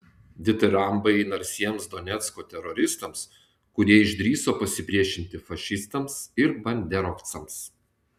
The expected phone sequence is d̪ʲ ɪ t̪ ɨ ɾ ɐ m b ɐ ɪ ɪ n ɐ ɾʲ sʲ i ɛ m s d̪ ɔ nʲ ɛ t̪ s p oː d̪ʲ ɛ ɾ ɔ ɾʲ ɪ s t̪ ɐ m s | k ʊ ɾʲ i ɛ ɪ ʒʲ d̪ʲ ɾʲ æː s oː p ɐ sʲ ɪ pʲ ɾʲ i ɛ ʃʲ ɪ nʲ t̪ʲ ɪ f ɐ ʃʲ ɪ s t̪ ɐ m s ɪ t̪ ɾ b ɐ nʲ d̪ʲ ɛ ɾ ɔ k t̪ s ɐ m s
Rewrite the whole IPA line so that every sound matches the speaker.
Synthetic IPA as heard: d̪ʲ ɪ t̪ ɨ ɾ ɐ m b ɐ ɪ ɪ n ɐ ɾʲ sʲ i ɛ m s d̪ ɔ nʲ ɛ t̪ s k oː t̪ʲ ɛ ɾ ɔ ɾʲ ɪ s t̪ ɐ m s | k ʊ ɾʲ i ɛ ɪ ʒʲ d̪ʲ ɾʲ iː s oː p ɐ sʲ ɪ pʲ ɾʲ i ɛ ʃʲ ɪ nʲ t̪ʲ ɪ f ɐ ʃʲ ɪ s t̪ ɐ m s ɪ ɾ b ɐ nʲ d̪ʲ ɛ ɾ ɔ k t̪ s ɐ m s